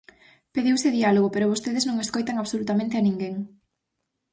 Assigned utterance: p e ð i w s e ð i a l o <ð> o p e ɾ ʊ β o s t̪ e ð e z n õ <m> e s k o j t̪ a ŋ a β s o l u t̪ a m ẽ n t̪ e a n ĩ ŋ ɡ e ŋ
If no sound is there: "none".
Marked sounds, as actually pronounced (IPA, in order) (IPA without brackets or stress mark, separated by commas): ɣ, ŋ